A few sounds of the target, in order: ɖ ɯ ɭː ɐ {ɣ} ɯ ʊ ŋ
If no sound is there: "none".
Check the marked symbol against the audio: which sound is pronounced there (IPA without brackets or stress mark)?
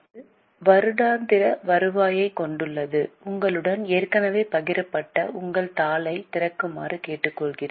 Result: ð